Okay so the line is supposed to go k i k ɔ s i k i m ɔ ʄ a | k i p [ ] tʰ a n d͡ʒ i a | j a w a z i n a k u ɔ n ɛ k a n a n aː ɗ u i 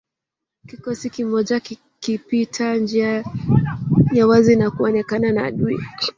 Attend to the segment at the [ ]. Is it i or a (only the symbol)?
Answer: i